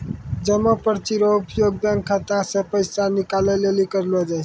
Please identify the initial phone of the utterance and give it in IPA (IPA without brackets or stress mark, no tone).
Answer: d͡ʒ